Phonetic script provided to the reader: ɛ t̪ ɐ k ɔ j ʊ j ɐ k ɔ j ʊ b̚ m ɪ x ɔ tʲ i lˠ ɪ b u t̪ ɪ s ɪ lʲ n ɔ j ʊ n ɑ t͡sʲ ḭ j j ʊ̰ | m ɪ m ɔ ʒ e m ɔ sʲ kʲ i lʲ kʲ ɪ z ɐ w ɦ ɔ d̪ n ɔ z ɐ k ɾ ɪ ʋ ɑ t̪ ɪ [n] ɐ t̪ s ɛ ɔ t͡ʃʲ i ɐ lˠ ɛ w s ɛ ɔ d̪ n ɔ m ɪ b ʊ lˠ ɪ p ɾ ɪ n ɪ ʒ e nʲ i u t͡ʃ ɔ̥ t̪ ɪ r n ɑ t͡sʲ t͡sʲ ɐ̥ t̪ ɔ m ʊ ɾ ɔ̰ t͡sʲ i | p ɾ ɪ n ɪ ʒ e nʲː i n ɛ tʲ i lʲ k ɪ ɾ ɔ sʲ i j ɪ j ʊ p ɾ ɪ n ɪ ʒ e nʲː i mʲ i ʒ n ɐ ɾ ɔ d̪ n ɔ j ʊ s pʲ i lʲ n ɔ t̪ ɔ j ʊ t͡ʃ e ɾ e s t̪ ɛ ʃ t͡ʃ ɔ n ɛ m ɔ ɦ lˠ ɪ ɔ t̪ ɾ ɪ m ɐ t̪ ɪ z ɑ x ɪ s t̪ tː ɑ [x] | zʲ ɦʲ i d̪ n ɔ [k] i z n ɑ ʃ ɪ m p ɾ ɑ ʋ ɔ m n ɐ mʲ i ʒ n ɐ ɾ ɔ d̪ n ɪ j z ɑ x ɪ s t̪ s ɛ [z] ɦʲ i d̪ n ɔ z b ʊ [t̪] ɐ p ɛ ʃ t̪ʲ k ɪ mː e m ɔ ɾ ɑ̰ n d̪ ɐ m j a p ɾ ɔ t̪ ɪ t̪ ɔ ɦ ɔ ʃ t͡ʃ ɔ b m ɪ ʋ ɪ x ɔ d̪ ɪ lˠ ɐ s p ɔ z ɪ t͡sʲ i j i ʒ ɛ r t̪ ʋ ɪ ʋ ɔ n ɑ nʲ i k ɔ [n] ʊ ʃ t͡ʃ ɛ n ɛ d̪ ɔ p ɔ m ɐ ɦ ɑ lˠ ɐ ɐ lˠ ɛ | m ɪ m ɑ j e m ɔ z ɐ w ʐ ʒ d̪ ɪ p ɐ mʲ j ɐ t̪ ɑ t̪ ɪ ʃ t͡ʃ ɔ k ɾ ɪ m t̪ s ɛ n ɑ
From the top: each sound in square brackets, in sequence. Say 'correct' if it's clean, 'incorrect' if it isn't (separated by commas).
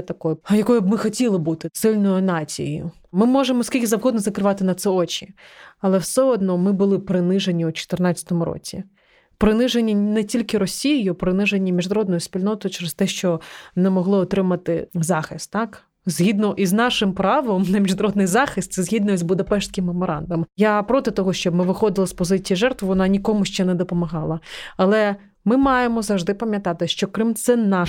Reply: correct, incorrect, incorrect, correct, incorrect, incorrect